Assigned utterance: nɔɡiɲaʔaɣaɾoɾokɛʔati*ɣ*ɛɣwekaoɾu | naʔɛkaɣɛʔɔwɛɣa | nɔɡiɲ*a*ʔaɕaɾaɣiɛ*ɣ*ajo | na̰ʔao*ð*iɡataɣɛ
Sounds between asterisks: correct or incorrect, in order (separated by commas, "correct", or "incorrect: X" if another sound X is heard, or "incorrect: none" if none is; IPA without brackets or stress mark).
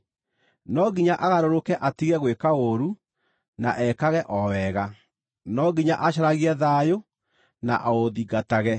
correct, correct, incorrect: ð, correct